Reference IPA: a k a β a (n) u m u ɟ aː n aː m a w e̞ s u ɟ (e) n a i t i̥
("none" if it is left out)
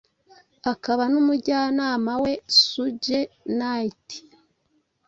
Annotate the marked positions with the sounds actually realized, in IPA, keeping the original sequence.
n, e

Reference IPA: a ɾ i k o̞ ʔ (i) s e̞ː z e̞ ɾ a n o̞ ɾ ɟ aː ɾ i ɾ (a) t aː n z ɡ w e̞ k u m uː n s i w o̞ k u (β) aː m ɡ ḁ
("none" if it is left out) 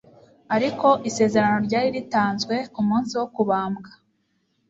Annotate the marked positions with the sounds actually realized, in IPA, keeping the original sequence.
i, i, β

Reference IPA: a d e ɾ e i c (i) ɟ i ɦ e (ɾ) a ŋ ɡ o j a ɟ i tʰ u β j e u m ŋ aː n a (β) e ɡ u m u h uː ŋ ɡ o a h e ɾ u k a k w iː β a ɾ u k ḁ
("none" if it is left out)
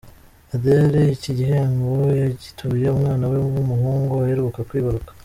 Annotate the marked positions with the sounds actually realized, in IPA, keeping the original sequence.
i, none, w

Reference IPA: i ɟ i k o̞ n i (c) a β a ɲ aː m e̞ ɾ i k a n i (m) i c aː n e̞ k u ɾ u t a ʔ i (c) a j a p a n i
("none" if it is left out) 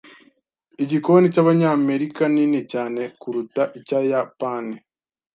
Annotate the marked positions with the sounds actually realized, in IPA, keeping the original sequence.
c, n, c

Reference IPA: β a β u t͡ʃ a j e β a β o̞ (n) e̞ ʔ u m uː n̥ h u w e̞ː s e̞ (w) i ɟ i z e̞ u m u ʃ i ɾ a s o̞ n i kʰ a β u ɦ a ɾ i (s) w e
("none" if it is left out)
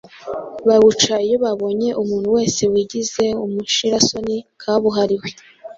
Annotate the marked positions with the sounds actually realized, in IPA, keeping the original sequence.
ɲ, w, none

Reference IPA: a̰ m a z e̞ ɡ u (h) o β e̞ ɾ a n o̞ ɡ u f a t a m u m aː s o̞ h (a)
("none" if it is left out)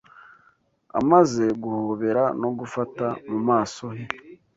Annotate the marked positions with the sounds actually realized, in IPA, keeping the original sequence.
h, e

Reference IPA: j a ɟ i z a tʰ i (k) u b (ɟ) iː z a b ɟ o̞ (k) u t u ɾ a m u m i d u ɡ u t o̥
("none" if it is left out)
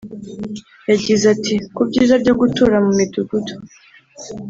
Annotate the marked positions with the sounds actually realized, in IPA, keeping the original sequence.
k, ɟ, ɡ

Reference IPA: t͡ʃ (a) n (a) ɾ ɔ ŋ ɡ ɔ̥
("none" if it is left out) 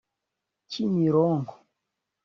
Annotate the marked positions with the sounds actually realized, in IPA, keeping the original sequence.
i, i

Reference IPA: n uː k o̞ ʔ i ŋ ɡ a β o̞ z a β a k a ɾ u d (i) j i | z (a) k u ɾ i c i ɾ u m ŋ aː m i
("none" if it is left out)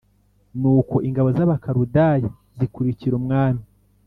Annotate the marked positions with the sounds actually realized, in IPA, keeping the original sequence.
a, i

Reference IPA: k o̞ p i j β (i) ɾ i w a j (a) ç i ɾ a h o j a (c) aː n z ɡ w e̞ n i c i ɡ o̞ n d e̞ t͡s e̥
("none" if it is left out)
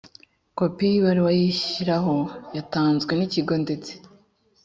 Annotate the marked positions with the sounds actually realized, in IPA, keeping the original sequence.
a, i, t

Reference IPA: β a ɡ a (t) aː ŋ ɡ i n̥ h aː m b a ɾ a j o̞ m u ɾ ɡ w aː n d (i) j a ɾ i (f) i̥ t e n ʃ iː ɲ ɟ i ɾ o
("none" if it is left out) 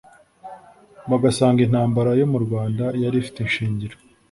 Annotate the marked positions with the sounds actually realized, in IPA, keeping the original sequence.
s, a, f

